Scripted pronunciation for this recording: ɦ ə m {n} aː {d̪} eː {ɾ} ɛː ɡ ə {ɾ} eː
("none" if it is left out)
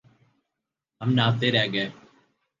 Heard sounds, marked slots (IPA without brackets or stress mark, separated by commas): n, t̪, ɾ, none